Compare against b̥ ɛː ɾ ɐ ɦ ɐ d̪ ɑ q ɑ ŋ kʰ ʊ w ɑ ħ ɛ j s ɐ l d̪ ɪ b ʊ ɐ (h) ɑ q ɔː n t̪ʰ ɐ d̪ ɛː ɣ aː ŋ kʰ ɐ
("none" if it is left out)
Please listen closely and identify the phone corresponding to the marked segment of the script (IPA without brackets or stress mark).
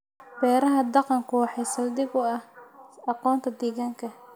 h